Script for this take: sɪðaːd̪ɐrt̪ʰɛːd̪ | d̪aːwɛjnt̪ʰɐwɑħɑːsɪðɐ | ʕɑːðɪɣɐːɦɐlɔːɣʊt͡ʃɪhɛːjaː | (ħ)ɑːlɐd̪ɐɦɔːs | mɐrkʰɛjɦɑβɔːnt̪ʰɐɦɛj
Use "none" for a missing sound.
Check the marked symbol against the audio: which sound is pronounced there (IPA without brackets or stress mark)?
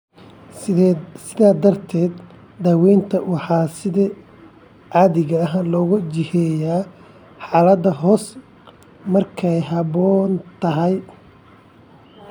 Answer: ħ